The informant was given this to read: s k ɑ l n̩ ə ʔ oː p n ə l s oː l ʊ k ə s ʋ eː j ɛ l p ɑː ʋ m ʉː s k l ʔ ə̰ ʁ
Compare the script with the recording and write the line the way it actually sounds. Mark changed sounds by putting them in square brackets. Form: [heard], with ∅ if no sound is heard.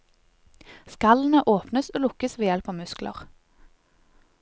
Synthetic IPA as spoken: s k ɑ l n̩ ə ʔ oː p n ə [∅] s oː l ʊ k ə s ʋ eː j ɛ l p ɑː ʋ m [ʉ] s k l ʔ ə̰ ʁ